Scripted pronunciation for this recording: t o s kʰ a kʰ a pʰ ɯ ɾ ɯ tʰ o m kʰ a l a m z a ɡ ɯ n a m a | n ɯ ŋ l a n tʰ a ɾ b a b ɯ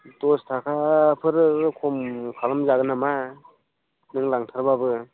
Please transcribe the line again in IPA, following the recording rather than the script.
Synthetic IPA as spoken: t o s tʰ a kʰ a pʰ ɯ ɾ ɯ kʰ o m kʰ a l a m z a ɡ ɯ n a m a | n ɯ ŋ l a ŋ tʰ a ɾ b a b ɯ